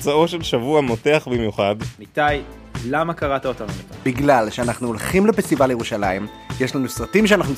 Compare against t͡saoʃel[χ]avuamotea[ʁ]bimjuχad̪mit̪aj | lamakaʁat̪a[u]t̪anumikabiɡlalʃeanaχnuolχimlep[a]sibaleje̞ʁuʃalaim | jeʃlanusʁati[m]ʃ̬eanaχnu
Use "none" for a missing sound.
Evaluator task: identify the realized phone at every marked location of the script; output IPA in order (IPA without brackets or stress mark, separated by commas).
ʃ, χ, o, e, m